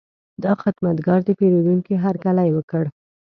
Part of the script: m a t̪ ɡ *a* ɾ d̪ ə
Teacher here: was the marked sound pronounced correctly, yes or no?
no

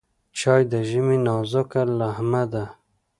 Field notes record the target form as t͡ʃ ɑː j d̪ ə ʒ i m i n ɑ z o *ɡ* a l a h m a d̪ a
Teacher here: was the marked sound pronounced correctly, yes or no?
no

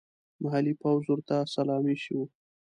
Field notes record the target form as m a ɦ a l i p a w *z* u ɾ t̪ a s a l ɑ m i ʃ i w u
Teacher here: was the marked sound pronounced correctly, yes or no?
yes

